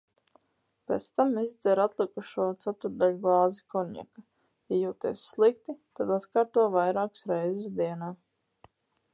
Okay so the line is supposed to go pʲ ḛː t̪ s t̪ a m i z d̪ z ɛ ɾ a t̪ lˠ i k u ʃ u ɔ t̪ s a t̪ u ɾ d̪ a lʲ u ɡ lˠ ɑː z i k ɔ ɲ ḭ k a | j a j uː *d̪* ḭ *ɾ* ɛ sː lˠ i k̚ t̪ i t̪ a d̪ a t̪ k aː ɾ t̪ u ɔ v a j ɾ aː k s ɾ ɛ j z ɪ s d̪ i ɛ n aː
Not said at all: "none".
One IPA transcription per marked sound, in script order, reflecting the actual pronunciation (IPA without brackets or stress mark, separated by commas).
t̪, none